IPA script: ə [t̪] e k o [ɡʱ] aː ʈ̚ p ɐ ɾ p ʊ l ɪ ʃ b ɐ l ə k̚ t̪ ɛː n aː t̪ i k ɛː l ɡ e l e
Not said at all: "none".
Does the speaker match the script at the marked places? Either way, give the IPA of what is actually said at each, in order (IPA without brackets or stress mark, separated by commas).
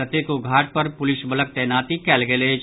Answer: t̪, ɡʱ